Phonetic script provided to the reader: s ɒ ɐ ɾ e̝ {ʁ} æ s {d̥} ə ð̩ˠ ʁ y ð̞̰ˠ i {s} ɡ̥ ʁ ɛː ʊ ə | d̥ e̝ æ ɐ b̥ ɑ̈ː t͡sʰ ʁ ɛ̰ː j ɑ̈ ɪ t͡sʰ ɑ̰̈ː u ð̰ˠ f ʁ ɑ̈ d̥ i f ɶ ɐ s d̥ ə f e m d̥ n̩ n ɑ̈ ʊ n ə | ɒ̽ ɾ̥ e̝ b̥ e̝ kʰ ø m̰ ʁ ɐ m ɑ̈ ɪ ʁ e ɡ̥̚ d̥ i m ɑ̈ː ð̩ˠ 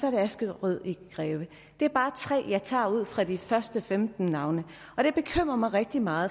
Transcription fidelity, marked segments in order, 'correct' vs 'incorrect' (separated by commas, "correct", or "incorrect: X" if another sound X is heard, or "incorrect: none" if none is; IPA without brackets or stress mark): incorrect: none, incorrect: ɡ̥, incorrect: none